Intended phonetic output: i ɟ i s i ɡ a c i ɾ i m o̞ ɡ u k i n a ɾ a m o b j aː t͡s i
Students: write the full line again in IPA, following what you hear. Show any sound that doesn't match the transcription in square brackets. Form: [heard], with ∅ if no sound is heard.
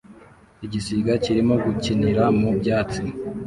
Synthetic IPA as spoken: i ɟ i s i ɡ a c i ɾ i m o̞ ɡ u [c] i n [i] ɾ a m [u] b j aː t͡s i